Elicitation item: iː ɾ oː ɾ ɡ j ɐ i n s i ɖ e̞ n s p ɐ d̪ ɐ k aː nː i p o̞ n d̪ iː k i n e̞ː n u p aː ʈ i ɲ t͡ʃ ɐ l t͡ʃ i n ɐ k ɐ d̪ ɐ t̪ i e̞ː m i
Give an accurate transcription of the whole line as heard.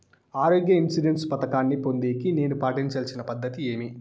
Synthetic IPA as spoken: aː ɾ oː ɡ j ɐ i n s i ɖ e̞ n s p ɐ t̪ ɐ k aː nː i p o̞ n d̪ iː k i n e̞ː n u p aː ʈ i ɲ t͡ʃ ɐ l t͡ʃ i n ɐ p ɐ d̪ː ɐ t̪ i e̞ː m i